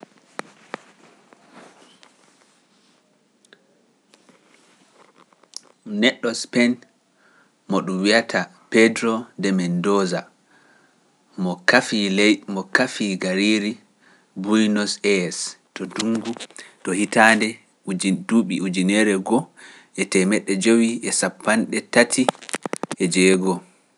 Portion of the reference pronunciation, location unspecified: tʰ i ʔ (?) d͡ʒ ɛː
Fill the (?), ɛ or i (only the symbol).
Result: ɛ